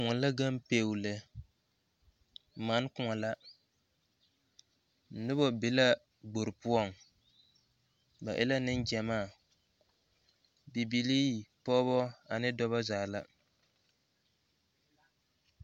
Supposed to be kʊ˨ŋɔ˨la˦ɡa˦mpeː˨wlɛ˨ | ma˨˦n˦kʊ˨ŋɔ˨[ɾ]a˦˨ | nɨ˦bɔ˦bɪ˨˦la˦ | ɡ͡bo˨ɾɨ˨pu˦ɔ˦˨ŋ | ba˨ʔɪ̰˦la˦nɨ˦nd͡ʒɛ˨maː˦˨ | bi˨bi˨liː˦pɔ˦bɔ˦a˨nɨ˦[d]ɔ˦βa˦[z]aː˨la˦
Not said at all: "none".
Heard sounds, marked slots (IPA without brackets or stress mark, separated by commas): l, d, z